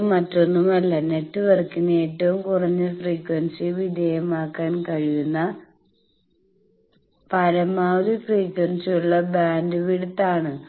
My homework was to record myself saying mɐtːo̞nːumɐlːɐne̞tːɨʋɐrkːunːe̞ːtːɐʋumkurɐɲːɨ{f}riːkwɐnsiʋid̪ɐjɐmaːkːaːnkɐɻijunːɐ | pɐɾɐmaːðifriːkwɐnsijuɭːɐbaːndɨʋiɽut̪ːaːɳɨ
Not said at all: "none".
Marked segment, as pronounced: f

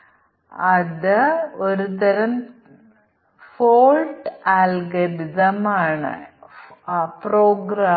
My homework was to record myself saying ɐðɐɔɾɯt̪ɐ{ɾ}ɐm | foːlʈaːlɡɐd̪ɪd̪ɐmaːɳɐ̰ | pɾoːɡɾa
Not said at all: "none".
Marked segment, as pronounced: ɾ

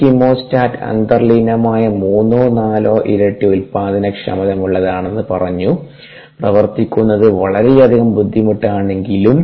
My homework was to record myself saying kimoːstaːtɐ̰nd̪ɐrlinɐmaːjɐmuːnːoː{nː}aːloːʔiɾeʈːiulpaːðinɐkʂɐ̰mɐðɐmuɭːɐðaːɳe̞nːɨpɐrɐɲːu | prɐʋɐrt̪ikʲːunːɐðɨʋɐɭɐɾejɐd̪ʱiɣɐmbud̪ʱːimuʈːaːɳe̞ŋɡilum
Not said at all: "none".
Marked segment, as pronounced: n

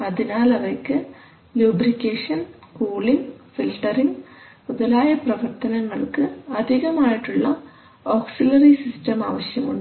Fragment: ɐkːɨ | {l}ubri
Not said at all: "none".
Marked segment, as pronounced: l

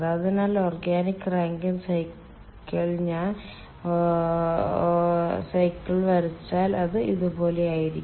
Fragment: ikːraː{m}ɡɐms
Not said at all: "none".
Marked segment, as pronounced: ŋ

